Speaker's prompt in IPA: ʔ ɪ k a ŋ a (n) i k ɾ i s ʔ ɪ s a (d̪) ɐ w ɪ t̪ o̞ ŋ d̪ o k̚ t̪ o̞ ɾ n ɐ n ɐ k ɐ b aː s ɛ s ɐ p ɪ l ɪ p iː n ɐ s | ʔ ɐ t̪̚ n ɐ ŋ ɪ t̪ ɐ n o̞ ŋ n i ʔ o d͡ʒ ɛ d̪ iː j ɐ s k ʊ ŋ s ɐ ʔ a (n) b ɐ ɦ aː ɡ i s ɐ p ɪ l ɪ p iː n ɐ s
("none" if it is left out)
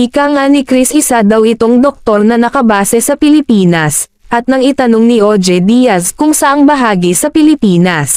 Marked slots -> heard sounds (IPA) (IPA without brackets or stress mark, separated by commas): n, d̪, ŋ